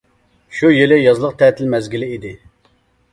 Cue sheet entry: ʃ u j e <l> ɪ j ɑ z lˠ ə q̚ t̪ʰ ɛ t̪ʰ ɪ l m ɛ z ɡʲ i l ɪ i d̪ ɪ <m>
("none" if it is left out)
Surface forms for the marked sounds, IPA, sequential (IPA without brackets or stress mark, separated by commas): l, none